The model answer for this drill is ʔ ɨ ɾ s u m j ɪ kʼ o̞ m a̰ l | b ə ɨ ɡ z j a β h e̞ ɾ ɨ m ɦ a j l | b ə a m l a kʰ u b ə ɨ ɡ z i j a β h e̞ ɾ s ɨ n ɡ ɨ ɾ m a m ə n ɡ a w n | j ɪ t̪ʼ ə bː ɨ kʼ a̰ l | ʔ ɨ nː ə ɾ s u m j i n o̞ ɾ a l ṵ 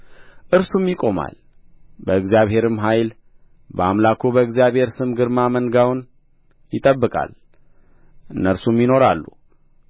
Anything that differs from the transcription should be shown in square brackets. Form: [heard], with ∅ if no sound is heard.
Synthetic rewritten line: ʔ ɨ ɾ s u m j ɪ kʼ o̞ m a̰ l | b ə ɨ ɡ z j a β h e̞ ɾ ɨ m ɦ a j l | b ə a m l a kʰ u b ə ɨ ɡ z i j a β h e̞ ɾ s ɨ [m] ɡ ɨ ɾ m a m ə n ɡ a w n | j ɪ t̪ʼ ə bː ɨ kʼ a̰ l | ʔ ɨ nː ə ɾ s u m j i n o̞ ɾ a [lː] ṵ